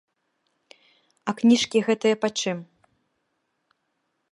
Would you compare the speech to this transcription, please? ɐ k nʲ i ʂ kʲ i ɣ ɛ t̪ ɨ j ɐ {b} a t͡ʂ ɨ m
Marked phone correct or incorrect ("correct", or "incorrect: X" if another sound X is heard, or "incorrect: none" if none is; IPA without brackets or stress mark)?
incorrect: p